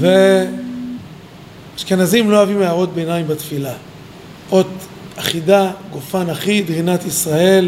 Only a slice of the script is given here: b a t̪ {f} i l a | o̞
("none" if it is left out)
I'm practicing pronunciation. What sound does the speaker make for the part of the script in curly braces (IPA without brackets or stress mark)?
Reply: f